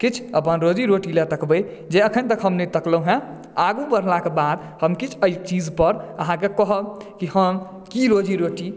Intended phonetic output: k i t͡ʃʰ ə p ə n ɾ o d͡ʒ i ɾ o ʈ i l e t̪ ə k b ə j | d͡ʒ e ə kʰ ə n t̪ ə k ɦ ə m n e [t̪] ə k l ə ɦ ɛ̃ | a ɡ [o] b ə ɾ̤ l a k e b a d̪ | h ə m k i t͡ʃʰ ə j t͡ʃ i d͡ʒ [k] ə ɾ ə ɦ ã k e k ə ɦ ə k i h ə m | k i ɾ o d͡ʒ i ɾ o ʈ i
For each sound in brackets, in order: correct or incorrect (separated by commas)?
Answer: correct, incorrect, incorrect